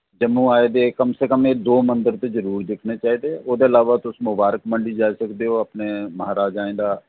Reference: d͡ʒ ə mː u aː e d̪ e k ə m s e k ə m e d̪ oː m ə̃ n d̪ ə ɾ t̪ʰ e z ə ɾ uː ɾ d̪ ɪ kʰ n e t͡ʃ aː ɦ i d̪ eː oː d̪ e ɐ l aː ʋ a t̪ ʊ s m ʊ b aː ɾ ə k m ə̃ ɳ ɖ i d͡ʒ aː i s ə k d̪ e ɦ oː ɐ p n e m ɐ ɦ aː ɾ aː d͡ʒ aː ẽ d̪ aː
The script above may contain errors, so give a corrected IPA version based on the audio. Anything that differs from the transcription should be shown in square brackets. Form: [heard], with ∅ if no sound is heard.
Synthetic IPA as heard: d͡ʒ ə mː u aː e d̪ e k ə m s e k ə m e d̪ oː m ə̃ n d̪ ə ɾ [t̪] e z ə ɾ uː ɾ d̪ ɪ kʰ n e t͡ʃ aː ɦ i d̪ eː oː d̪ e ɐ l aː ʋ a t̪ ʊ s m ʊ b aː ɾ ə k m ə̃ ɳ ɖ i d͡ʒ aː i s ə k d̪ e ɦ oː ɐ p n e m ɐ ɦ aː ɾ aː d͡ʒ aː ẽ d̪ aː